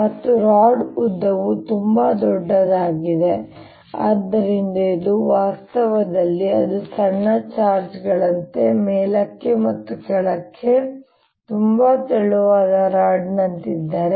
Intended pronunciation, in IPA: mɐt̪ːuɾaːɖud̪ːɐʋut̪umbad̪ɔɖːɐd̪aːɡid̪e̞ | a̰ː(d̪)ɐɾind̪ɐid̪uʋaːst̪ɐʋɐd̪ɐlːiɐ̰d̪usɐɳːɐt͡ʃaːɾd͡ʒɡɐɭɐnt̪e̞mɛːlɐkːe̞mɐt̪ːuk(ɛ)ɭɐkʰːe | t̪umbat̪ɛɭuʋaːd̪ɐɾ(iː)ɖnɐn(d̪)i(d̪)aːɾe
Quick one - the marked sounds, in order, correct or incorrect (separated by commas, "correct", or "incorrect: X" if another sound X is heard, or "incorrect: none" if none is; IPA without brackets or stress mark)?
incorrect: d̪ː, correct, incorrect: aː, incorrect: t̪, incorrect: d̪ː